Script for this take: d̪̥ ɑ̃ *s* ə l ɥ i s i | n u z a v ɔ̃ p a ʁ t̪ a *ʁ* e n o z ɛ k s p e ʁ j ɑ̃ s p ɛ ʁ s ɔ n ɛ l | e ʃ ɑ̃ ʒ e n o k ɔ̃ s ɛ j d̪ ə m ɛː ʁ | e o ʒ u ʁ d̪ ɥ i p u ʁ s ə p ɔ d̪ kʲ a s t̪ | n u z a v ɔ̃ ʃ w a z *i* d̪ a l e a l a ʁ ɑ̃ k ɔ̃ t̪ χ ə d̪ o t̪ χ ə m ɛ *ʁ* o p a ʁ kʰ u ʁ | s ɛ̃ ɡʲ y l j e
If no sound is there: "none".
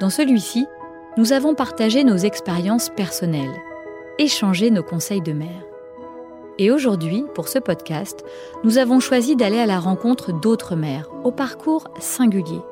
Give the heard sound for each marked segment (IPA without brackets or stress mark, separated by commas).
s, ʒ, i, ʁ